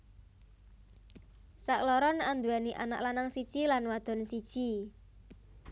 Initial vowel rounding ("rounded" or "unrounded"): unrounded